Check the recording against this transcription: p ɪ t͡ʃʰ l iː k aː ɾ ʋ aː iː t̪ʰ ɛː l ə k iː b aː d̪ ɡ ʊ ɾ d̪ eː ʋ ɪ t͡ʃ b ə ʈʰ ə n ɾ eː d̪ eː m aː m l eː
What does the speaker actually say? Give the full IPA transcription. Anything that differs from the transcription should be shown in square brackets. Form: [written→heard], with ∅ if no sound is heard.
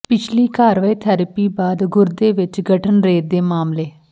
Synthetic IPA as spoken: p ɪ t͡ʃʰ l iː k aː ɾ ʋ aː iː t̪ʰ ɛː [l→ɾ] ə [k→p] iː b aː d̪ ɡ ʊ ɾ d̪ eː ʋ ɪ t͡ʃ [b→ɡ] ə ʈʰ ə n ɾ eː d̪ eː m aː m l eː